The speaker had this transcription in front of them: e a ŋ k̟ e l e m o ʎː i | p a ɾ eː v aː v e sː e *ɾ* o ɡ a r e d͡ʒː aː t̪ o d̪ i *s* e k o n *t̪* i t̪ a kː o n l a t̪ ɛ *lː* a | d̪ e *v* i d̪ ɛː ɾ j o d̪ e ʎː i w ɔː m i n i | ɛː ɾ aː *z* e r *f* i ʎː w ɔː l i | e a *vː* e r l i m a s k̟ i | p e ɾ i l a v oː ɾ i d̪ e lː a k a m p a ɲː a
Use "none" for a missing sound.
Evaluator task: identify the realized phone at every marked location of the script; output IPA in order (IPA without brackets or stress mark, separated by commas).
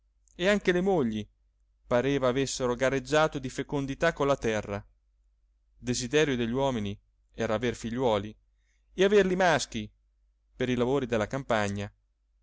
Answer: ɾ, f, d̪, rː, z, v, f, v